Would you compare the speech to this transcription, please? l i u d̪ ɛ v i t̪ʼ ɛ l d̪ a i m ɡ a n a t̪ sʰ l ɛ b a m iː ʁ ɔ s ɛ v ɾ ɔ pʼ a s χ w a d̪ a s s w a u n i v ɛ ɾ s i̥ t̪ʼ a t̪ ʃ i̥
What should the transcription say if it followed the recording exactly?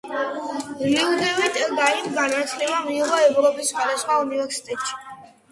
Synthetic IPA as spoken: l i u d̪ ɛ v i t̪ʼ ɛ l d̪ a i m ɡ a n a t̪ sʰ l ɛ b a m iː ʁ ɔ ɛ v ɾ ɔ pʼ i s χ w a d̪ a s χ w a u n i v ɛ ɾ s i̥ t̪ʼ ɛ t̪ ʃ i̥